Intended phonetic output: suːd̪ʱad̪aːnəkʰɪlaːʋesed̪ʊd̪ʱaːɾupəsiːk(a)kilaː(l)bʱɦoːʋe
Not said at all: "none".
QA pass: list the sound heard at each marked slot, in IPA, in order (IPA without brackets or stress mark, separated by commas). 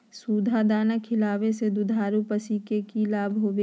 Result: e, none